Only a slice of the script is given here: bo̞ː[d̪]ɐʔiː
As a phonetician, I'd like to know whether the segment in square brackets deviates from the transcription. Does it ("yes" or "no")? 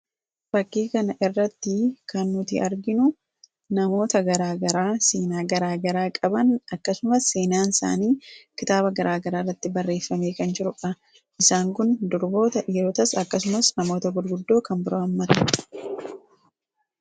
yes